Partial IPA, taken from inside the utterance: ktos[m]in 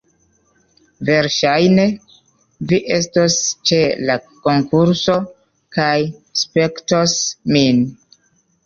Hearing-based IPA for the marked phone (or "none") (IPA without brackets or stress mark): m